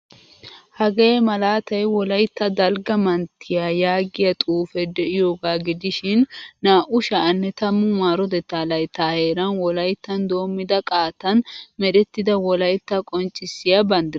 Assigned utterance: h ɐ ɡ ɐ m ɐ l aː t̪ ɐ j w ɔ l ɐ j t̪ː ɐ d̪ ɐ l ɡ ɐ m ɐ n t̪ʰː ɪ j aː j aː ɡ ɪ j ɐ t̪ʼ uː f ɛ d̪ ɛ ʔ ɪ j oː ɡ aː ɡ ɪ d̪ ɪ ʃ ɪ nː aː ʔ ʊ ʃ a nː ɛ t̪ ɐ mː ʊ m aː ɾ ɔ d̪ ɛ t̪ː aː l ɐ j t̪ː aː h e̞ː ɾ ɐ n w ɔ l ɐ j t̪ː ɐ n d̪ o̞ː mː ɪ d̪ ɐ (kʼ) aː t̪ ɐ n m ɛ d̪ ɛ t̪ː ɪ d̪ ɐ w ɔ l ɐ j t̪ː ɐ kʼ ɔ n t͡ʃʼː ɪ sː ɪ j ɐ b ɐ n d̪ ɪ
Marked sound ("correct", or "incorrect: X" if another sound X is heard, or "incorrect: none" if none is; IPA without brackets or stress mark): correct